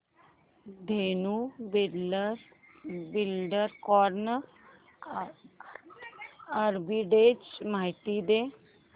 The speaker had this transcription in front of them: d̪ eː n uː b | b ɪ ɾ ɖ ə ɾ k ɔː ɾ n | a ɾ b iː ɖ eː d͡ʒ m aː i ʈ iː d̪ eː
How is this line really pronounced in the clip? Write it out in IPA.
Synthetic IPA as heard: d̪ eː n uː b | b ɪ l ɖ ə ɾ k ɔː ɾ n | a ɾ b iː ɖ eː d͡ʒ m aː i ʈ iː d̪ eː